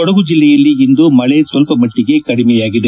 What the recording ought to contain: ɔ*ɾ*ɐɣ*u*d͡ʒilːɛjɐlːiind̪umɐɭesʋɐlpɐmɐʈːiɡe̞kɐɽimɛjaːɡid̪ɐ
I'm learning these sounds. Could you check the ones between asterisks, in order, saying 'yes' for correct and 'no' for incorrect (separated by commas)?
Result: no, yes